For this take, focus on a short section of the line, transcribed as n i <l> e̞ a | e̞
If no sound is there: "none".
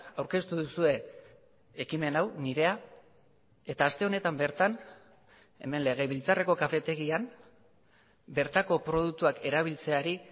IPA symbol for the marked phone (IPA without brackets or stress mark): ɾ